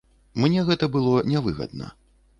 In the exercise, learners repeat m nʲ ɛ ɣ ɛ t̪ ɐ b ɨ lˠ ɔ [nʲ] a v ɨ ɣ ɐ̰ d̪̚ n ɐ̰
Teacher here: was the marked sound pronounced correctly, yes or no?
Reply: yes